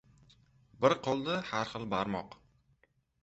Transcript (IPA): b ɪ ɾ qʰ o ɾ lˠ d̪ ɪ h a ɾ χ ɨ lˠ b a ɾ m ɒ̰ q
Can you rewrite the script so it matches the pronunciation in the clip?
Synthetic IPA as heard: b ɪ ɾ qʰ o lˠ d̪ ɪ h a ɾ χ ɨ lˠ b a ɾ m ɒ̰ q